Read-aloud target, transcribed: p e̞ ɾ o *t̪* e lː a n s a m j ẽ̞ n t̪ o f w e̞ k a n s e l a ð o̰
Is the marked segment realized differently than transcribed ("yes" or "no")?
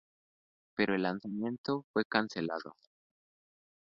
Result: yes